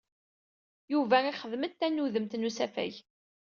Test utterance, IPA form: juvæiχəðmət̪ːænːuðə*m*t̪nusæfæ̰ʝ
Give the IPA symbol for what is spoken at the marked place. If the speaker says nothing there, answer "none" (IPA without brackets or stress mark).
m